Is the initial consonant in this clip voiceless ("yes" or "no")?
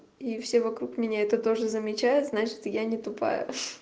yes